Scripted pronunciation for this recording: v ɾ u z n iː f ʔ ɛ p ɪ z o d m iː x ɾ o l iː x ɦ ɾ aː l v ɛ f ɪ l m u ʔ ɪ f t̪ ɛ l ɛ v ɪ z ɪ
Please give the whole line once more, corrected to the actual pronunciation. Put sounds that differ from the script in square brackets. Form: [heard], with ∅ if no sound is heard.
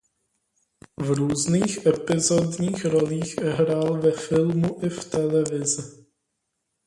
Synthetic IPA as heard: v ɾ [uː] z n iː [x] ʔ ɛ p ɪ z o d [ɲ] iː x ɾ o l iː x ɦ ɾ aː l v ɛ f ɪ l m u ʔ ɪ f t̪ ɛ l ɛ v ɪ z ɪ